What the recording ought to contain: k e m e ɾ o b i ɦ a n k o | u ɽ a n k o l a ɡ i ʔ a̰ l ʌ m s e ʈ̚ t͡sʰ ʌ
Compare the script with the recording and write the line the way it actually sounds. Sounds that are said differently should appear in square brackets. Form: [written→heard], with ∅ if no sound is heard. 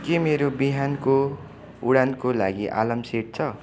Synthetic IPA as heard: k e m e ɾ o b i ɦ a n k o | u ɽ a n k o l a ɡ i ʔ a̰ l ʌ m s e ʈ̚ t͡sʰ ʌ